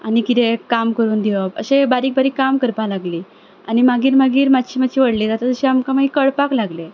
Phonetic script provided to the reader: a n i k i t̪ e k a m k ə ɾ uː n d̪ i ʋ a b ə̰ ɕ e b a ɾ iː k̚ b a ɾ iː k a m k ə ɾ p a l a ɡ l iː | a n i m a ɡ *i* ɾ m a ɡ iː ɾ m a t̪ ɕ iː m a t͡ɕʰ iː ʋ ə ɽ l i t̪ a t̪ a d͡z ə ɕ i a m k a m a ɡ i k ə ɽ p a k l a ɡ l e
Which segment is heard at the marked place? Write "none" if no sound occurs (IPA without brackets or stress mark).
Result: iː